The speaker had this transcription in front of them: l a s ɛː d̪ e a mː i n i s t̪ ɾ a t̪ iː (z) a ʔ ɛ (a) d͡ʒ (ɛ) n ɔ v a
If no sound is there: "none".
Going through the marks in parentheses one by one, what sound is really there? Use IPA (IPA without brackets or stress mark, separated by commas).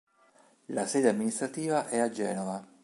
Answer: v, a, ɛː